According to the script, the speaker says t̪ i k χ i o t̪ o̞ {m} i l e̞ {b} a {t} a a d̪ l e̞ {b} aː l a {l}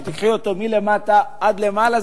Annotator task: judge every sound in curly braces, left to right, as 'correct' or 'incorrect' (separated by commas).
correct, incorrect, correct, incorrect, incorrect